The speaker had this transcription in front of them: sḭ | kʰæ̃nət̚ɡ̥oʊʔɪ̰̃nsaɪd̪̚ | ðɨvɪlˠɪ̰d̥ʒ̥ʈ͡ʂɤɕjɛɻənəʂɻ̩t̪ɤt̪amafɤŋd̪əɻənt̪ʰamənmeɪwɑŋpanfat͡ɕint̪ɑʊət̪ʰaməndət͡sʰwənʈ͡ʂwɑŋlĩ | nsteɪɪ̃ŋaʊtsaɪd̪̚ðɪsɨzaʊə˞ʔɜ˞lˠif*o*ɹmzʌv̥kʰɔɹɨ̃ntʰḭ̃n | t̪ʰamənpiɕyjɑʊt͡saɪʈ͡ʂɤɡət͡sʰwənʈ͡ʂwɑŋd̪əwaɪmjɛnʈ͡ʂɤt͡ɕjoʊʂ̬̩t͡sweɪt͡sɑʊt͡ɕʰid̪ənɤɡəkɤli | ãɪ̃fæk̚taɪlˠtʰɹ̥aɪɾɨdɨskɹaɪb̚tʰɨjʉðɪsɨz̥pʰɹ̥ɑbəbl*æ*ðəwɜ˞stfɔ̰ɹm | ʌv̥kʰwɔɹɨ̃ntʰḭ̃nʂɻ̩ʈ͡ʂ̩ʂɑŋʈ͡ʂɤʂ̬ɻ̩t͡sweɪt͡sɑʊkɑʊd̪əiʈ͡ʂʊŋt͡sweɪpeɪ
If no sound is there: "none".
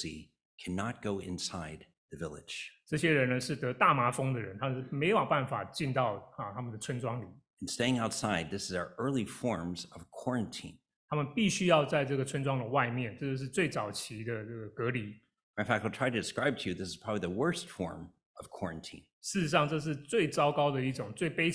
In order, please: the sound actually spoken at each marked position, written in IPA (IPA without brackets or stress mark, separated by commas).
ɔ, i